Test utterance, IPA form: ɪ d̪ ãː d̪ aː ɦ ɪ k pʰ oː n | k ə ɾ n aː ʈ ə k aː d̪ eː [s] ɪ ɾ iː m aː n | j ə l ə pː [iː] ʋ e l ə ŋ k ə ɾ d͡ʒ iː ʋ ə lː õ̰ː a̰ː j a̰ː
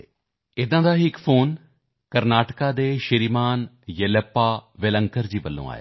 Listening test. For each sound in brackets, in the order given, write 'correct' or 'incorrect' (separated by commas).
incorrect, incorrect